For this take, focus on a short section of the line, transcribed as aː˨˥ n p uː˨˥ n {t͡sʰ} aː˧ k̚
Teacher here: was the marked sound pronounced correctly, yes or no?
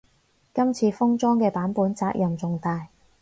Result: no